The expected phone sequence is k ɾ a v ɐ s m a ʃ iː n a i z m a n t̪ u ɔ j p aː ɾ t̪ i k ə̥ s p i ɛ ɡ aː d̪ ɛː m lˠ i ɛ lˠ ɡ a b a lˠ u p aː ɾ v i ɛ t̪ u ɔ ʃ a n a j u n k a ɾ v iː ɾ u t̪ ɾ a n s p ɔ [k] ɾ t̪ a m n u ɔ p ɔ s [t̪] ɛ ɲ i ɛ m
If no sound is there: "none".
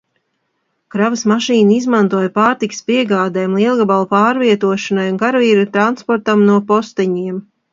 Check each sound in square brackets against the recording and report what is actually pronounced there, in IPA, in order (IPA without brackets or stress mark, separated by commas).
none, t̪